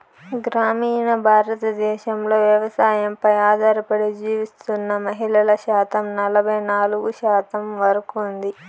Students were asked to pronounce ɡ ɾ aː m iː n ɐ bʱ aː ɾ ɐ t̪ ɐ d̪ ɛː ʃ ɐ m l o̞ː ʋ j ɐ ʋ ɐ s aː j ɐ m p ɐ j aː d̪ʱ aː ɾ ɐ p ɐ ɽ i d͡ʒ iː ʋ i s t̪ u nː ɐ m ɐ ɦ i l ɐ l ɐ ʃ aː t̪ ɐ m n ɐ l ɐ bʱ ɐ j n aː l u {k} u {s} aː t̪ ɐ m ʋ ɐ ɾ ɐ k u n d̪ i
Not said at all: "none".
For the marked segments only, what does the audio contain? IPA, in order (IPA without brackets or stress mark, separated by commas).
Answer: ɡ, ʃ